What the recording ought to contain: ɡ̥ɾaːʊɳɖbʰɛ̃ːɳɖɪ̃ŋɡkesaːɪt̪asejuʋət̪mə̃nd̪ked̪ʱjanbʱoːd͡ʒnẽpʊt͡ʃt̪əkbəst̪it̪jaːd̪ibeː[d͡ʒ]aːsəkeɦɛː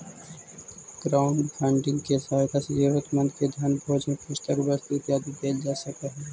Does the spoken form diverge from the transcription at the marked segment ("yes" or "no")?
no